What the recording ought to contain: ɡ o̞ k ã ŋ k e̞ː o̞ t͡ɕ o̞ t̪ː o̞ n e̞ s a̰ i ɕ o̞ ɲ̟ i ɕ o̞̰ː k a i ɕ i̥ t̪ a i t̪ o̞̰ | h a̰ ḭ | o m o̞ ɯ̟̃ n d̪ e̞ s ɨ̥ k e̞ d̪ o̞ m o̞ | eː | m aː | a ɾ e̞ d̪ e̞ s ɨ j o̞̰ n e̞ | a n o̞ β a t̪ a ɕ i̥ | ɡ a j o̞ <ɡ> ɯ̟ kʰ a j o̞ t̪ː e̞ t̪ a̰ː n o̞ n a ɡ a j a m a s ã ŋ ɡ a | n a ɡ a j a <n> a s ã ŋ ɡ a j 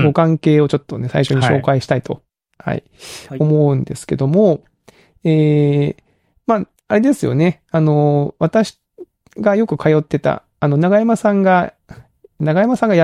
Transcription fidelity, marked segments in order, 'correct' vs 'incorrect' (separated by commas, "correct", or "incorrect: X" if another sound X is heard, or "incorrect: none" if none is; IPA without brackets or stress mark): incorrect: k, incorrect: m